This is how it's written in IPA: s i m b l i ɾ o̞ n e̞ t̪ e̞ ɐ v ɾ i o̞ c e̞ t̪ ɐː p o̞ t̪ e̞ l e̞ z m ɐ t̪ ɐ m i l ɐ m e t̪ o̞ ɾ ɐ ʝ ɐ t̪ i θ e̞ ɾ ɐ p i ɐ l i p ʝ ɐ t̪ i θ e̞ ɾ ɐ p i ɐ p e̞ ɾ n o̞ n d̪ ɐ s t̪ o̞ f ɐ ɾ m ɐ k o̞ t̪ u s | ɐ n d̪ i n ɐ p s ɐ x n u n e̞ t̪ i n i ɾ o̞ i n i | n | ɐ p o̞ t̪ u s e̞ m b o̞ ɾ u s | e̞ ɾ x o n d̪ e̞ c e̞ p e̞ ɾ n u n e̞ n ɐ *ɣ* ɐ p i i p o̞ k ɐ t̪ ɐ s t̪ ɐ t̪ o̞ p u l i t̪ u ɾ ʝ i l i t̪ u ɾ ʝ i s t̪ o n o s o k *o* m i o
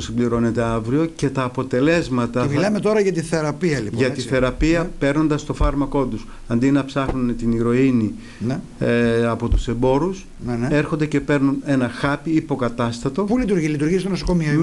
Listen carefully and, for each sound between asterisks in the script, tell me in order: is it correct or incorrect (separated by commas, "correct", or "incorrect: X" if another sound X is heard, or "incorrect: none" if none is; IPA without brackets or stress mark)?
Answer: incorrect: x, correct